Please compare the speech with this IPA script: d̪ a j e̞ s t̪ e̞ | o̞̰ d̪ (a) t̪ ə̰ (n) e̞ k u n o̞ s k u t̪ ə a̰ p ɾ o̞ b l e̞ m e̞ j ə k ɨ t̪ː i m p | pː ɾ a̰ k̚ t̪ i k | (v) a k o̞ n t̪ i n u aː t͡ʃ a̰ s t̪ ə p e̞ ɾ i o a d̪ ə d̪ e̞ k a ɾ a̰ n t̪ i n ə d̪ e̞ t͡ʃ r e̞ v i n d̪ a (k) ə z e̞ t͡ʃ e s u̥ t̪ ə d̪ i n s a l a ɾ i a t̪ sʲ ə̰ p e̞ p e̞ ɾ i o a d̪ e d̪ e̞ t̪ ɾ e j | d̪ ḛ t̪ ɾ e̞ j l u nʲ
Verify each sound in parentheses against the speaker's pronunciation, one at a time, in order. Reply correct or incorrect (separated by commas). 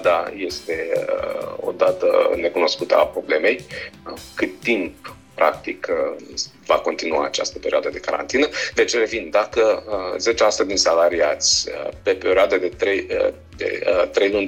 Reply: correct, correct, correct, correct